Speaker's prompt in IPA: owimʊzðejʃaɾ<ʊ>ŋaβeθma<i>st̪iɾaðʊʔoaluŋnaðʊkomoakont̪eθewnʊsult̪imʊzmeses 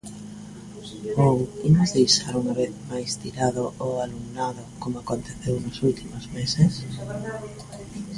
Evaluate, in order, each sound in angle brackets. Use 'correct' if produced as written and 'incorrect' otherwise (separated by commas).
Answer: incorrect, incorrect